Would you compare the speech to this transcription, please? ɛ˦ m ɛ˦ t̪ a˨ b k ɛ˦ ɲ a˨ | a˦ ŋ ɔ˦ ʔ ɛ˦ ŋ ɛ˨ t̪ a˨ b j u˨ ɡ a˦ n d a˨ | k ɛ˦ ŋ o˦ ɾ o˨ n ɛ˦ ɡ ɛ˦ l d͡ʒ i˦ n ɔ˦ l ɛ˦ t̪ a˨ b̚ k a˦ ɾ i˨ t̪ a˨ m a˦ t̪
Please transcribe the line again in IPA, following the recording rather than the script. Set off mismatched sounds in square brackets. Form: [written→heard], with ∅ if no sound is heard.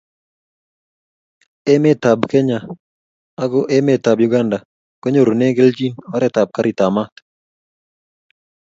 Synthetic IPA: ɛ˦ m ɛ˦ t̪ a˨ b k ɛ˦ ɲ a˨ | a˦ [ŋ→ɡ] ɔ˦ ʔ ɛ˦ [ŋ→m] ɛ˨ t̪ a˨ b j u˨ ɡ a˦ n d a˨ | k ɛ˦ [ŋ→ɲ] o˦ ɾ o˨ n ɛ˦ ɡ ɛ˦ l d͡ʒ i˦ n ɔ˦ [l→ɾ] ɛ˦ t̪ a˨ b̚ k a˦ ɾ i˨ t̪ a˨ m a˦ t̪